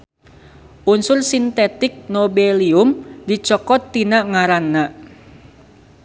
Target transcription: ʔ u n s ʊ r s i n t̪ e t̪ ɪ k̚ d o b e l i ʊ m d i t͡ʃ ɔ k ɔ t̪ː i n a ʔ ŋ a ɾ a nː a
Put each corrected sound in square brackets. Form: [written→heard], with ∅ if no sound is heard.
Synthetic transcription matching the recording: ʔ u n s ʊ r s i n t̪ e t̪ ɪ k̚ [d→n] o b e l i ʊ m d i t͡ʃ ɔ k ɔ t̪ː i n a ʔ ŋ a ɾ a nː a